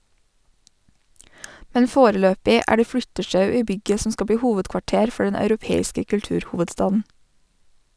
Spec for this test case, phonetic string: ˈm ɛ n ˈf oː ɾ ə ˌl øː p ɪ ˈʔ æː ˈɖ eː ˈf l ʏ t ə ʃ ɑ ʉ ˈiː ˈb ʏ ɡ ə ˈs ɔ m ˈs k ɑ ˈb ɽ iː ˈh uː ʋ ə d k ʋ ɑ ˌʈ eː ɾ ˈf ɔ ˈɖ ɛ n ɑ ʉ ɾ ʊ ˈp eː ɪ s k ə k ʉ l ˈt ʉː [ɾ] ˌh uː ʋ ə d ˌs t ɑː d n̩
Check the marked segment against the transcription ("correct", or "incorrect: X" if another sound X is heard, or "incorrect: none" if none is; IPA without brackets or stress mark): correct